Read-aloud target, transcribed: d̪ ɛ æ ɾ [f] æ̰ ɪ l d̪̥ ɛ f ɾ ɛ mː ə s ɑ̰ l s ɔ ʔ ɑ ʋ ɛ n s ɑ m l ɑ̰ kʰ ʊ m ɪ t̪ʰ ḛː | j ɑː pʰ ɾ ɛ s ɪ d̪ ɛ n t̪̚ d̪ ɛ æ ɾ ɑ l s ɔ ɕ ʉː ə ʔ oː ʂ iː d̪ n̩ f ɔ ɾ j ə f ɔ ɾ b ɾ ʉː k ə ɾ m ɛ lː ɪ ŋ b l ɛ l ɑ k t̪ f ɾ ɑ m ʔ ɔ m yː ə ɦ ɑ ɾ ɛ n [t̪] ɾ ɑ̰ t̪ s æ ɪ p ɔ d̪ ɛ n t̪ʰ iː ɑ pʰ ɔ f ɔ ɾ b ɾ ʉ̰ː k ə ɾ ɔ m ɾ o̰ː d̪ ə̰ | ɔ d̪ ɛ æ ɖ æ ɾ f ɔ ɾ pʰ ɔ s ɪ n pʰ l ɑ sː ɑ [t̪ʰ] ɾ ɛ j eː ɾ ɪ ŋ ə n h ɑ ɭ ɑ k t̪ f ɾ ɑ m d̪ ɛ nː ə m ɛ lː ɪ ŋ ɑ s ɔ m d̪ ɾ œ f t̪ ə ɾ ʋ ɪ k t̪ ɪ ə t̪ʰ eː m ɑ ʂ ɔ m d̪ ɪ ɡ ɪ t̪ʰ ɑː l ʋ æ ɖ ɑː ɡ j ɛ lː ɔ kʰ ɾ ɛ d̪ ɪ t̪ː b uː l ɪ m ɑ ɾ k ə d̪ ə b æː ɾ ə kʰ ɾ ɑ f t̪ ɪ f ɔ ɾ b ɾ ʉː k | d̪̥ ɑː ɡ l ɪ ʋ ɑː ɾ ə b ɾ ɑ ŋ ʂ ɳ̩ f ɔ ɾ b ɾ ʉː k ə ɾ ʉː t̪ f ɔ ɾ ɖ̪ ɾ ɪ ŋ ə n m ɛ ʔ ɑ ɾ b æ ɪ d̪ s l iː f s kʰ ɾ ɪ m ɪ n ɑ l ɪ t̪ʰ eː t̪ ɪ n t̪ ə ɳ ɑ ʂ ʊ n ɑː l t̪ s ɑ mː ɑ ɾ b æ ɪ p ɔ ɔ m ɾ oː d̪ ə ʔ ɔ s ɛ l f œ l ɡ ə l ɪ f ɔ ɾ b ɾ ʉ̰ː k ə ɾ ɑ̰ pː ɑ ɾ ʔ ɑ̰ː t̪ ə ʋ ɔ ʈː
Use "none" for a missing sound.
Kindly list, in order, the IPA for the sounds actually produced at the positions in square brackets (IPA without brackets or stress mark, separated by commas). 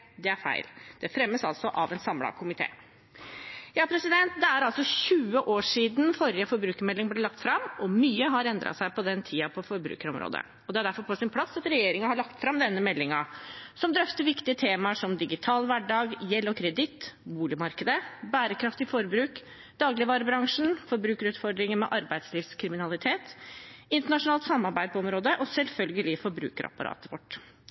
f, d̪, t̪